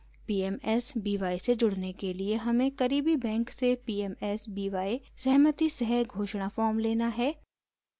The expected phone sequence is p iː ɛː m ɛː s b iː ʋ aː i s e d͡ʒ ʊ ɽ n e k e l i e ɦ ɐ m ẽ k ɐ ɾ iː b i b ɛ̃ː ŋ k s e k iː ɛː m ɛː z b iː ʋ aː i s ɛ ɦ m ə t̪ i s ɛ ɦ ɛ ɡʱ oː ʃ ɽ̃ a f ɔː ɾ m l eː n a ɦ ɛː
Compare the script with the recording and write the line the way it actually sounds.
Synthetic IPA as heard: p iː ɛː m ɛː s b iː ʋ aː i s e d͡ʒ ʊ ɽ n e k e l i e ɦ ɐ m ẽ k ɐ ɾ iː b i b ɛ̃ː ŋ k s e p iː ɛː m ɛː s b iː ʋ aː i s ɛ ɦ m ə t̪ i s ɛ ɦ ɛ ɡʱ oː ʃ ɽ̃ a f ɔː ɾ m l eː n a ɦ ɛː